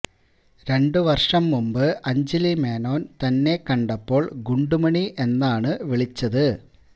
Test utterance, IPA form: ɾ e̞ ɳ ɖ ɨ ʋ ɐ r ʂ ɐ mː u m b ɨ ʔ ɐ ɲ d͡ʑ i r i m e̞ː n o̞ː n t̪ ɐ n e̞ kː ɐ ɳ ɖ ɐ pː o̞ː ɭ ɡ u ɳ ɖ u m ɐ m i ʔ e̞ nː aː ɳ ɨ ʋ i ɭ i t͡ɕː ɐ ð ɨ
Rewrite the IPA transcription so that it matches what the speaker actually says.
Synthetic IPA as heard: ɾ e̞ ɳ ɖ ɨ ʋ ɐ r ʂ ɐ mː u m b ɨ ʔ ɐ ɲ d͡ʑ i l i m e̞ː n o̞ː n t̪ ɐ nː e̞ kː ɐ ɳ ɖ ɐ pː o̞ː ɭ ɡ u ɳ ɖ u m ɐ ɳ i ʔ e̞ nː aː ɳ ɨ ʋ i ɭ i t͡ɕː ɐ ð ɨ